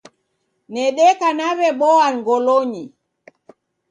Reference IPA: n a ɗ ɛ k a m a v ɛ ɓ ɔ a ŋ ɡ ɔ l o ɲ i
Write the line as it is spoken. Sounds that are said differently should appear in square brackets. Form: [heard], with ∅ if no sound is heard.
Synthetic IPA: n [ɛ] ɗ ɛ k a [n] a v ɛ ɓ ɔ a ŋ ɡ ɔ l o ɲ i